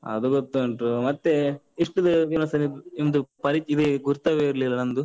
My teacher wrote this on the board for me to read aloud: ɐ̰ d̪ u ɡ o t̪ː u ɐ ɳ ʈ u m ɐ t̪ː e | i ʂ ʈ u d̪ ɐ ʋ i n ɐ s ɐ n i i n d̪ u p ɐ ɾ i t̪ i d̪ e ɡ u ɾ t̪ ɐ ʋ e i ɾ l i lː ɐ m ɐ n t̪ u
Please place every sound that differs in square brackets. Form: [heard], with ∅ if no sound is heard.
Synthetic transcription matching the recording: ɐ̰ d̪ u ɡ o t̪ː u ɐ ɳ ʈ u m ɐ t̪ː e | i ʂ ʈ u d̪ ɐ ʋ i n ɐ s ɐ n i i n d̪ u p ɐ ɾ i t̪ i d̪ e ɡ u ɾ t̪ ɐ ʋ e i ɾ l i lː ɐ [n] ɐ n [d̪] u